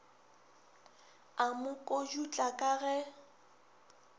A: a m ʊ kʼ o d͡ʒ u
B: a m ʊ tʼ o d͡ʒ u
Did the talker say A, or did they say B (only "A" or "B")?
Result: A